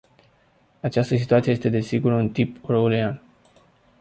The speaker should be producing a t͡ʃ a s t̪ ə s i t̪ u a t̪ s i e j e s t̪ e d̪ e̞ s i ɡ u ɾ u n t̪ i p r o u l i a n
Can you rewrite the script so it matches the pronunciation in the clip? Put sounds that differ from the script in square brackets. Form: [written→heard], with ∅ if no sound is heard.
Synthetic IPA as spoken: a t͡ʃ a s t̪ ə s i t̪ u a t̪ s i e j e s t̪ e d̪ e̞ s i ɡ u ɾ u n t̪ i p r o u l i a n